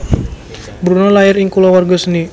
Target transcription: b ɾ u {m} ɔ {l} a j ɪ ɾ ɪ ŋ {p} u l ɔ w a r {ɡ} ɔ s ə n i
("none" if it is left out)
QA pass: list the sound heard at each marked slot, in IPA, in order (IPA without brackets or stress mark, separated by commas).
n, l, k, ɡ